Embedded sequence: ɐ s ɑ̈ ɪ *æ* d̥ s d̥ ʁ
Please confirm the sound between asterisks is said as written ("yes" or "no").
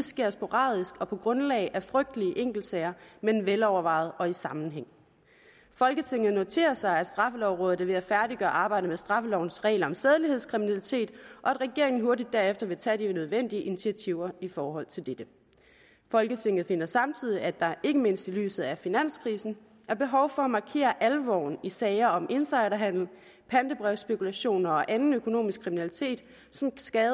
yes